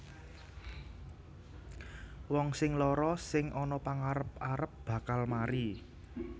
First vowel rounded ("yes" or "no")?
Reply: yes